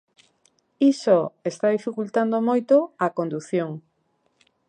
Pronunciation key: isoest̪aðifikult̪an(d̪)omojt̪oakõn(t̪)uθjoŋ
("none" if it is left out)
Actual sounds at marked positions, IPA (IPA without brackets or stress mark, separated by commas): d̪, d̪